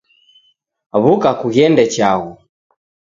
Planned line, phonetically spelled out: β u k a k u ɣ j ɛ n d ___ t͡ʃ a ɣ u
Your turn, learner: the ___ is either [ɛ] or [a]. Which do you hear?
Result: ɛ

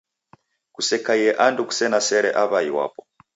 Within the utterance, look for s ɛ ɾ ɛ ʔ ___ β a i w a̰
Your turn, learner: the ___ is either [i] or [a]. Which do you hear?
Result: a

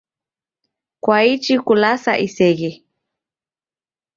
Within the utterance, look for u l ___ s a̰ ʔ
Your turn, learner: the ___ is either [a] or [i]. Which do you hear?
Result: a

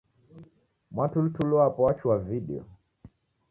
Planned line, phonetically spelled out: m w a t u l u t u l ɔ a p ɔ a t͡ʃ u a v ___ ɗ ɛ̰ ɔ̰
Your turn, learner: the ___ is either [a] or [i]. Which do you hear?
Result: i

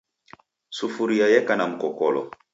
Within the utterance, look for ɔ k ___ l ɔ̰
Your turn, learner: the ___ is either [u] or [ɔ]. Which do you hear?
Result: ɔ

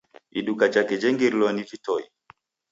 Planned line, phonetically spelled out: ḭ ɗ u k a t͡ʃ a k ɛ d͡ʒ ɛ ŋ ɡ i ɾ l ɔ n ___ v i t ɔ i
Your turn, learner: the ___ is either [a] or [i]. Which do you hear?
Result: i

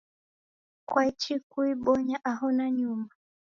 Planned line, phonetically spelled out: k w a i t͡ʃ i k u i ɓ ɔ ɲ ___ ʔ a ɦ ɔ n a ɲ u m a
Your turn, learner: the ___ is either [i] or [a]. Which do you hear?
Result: a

